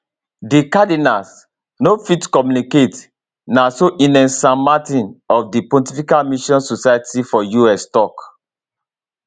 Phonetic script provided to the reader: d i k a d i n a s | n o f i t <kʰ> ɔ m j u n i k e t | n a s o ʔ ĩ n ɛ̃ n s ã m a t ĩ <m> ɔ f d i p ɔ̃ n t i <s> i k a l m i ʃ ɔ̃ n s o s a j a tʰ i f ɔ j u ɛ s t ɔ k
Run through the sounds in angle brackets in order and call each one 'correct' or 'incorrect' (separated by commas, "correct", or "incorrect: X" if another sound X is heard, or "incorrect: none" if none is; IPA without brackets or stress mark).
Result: incorrect: k, incorrect: n, incorrect: f